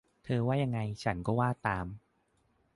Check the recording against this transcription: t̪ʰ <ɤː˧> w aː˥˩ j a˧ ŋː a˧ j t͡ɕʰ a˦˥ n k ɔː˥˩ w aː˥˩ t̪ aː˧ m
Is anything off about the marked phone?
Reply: no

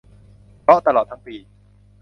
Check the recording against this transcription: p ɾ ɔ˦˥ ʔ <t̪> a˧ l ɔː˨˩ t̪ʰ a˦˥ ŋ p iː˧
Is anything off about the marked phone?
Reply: no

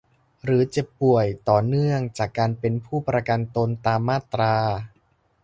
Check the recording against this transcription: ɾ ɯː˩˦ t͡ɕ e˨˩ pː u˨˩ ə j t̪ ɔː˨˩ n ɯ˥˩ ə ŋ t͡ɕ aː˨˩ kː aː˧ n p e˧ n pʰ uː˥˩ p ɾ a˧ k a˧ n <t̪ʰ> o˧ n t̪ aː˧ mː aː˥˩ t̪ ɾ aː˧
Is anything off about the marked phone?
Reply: yes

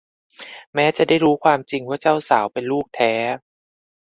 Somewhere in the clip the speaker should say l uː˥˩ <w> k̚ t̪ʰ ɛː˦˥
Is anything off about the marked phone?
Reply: yes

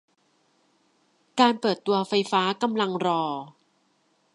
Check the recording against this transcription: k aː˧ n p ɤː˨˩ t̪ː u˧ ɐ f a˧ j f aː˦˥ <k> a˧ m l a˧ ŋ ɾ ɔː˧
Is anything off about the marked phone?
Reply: no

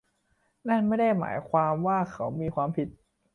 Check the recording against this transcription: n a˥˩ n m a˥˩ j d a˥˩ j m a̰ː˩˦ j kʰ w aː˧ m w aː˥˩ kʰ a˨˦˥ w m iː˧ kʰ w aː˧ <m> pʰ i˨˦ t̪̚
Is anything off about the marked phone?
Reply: no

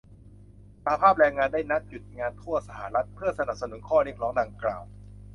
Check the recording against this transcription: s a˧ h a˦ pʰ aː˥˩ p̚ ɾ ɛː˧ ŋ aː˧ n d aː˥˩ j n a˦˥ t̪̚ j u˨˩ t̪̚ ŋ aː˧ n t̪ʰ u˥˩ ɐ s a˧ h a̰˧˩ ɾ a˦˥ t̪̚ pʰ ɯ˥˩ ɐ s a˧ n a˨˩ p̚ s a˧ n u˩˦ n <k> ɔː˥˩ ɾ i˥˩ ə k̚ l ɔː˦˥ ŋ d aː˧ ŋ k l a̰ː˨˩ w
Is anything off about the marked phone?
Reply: yes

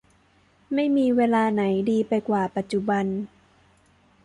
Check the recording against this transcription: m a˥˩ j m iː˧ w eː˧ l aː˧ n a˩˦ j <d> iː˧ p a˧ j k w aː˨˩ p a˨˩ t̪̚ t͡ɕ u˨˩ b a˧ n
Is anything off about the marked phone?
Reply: no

